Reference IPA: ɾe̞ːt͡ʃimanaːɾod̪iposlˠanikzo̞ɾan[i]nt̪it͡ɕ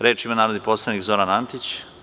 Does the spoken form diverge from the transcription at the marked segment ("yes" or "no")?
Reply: yes